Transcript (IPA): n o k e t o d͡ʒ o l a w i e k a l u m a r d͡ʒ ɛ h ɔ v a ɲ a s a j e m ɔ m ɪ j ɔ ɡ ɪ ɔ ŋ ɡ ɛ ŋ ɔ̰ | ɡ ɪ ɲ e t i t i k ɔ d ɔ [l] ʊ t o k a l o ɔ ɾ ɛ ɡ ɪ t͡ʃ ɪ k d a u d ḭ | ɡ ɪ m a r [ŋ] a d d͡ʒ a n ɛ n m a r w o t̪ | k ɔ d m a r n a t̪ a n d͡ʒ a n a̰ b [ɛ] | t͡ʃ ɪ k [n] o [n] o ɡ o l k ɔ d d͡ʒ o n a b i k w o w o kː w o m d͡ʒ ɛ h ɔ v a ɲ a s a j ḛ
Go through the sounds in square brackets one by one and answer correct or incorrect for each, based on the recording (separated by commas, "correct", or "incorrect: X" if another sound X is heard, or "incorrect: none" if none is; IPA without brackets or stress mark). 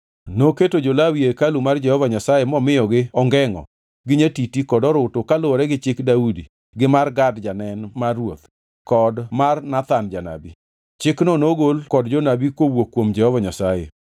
incorrect: ɾ, incorrect: ɡ, incorrect: i, correct, correct